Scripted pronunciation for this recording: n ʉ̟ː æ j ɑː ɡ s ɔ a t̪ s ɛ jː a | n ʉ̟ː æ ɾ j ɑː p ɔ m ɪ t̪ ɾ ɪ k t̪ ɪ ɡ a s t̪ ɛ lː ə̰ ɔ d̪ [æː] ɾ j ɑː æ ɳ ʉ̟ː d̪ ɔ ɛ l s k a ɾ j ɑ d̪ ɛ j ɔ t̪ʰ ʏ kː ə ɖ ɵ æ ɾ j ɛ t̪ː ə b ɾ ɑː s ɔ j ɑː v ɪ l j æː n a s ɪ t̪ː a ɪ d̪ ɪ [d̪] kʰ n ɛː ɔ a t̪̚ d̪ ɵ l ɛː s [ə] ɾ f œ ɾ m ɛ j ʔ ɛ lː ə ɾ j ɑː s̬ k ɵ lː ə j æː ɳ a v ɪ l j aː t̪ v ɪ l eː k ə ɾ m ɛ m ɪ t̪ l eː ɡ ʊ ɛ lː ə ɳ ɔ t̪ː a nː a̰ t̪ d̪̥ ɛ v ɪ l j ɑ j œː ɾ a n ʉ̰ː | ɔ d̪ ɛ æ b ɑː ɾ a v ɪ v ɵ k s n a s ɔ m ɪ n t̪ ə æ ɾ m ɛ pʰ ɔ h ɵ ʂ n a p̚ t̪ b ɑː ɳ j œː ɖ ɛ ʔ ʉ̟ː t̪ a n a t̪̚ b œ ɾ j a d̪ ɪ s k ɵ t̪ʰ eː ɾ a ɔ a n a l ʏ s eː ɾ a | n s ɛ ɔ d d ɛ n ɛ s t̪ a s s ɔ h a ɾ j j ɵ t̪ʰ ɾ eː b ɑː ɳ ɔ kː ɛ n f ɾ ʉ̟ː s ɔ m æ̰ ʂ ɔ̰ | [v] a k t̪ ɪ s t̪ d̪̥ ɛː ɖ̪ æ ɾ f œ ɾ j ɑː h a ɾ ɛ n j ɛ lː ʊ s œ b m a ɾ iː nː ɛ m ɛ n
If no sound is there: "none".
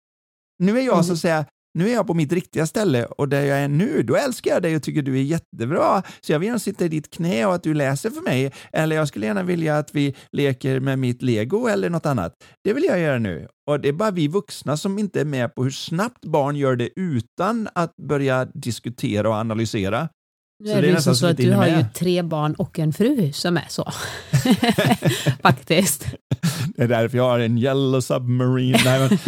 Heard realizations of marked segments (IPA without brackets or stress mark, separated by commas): æ, t̪, ə, f